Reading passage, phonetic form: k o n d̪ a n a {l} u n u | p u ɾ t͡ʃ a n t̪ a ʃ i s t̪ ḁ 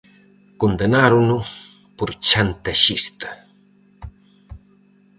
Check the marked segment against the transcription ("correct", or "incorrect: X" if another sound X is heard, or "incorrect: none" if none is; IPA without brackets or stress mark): incorrect: ɾ